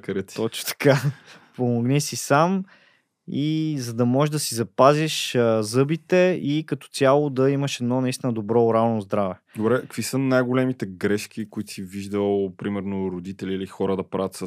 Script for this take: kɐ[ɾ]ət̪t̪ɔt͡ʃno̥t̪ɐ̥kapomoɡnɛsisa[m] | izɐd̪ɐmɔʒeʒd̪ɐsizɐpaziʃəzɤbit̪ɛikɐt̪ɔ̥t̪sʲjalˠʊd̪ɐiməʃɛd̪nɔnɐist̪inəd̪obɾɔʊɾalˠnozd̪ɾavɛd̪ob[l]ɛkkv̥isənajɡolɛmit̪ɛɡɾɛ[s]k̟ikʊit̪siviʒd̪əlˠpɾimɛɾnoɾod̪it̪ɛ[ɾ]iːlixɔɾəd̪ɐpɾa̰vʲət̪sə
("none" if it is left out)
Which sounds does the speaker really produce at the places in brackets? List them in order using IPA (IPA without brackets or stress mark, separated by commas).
ɾ, m, ɾ, ʃ, l